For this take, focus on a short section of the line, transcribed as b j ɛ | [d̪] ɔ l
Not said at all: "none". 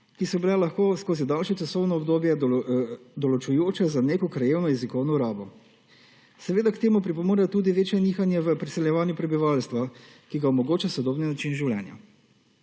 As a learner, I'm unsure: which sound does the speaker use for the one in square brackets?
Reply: d̪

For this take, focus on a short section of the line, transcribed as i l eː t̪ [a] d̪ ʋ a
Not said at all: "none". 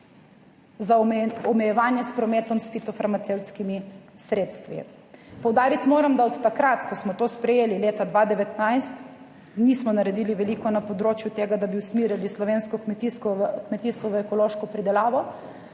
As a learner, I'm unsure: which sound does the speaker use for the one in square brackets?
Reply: a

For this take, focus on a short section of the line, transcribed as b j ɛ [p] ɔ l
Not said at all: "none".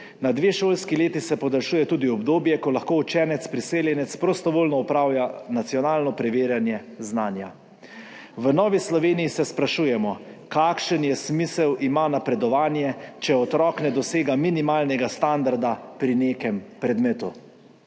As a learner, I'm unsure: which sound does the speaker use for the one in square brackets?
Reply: k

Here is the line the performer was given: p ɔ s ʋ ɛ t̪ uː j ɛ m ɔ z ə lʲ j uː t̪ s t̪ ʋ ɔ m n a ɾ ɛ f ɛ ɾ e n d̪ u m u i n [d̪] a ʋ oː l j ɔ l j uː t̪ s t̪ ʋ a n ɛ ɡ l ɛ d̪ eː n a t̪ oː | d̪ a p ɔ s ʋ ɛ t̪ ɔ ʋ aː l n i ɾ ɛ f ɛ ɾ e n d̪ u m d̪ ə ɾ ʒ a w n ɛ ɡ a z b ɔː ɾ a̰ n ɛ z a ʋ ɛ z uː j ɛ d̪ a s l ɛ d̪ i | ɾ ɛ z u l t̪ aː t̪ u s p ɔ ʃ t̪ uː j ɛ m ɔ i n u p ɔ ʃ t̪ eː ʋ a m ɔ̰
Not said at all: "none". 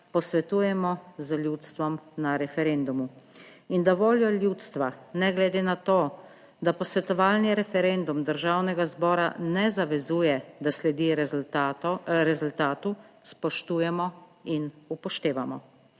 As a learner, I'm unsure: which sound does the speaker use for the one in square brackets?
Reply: d̪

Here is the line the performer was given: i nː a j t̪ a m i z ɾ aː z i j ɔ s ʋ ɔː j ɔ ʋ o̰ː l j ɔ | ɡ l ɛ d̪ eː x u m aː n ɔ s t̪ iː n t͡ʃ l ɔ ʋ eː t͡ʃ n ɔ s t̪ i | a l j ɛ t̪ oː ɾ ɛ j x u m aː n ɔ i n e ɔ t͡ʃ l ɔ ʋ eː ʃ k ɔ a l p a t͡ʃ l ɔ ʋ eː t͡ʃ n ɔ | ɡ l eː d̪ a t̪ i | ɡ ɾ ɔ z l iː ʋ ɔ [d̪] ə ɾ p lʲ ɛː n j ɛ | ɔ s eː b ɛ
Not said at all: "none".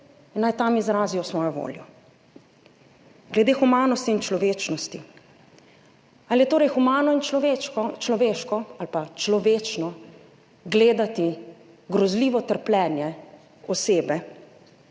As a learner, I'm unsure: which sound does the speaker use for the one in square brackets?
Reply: t̪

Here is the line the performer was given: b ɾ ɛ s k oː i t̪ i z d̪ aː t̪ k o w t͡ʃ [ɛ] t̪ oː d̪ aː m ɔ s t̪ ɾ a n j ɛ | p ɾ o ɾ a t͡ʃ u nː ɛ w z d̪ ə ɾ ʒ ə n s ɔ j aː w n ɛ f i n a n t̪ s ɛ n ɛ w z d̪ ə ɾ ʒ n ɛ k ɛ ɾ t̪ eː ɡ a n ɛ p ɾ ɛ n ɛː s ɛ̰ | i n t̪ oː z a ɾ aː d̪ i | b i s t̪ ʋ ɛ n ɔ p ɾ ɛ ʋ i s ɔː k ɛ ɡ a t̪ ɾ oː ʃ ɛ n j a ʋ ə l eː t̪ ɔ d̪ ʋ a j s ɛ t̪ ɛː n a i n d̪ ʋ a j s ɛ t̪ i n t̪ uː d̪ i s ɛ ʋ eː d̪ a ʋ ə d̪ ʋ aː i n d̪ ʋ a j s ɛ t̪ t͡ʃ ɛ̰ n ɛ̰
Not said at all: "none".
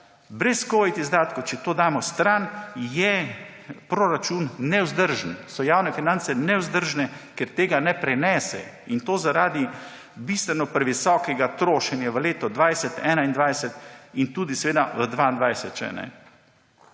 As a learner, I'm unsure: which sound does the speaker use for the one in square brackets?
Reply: ɛ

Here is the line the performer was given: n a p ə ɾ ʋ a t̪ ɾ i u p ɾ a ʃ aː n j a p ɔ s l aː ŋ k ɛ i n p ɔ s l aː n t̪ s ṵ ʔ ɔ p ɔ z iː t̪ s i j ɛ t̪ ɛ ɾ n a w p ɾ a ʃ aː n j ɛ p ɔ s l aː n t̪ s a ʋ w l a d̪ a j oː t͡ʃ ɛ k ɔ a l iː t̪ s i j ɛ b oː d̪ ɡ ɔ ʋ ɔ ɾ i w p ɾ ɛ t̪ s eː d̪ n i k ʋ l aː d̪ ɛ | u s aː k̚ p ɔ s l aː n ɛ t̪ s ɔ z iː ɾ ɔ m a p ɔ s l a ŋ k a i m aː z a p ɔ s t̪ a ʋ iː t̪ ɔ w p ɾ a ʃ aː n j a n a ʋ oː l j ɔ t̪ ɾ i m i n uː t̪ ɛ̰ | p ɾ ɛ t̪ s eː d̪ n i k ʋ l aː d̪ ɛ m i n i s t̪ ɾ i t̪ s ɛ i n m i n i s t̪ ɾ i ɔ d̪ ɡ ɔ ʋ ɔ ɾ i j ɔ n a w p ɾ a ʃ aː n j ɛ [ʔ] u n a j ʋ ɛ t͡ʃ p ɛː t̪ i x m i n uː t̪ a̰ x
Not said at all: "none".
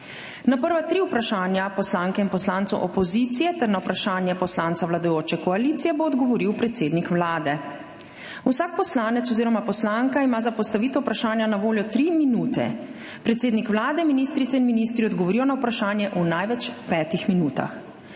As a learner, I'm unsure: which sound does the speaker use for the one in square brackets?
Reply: ʔ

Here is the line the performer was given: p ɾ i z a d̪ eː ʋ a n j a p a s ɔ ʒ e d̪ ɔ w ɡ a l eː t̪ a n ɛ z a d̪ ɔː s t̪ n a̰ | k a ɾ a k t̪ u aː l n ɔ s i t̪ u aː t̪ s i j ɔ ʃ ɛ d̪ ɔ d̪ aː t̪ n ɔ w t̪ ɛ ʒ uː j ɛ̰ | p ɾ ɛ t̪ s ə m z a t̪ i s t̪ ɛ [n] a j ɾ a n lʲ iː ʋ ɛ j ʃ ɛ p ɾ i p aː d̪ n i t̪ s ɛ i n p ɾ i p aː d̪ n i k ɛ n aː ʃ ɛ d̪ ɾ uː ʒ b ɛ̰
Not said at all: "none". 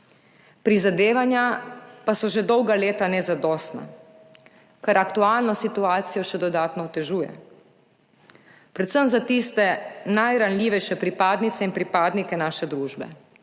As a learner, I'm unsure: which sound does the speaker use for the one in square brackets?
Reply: n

